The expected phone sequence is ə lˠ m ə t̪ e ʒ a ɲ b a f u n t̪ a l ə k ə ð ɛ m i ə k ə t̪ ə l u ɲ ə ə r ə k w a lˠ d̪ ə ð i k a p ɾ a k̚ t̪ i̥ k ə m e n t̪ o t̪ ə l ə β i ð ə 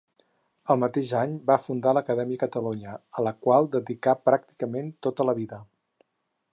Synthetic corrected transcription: ə lˠ m ə t̪ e ʒ a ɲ b a f u n d̪ a l ə k ə ð ɛ m i ə k ə t̪ ə l u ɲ ə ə l ə k w a lˠ d̪ ə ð i k a p ɾ a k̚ t̪ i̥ k ə m e n t̪ o t̪ ə l ə β i ð ə